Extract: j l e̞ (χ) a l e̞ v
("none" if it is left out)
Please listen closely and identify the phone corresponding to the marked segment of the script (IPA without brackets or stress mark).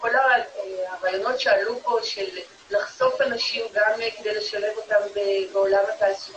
ʃ